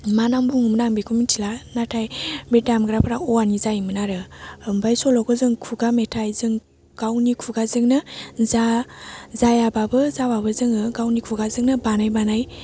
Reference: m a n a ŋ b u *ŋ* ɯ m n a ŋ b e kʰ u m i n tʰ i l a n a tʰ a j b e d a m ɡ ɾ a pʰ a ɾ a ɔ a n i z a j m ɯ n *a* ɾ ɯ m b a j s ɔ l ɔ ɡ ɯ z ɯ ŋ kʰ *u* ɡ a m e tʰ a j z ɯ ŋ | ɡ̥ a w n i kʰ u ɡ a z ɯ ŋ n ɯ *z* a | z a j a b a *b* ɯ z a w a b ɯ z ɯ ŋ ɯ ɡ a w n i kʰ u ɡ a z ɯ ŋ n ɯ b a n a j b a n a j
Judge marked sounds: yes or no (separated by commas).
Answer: yes, yes, yes, yes, yes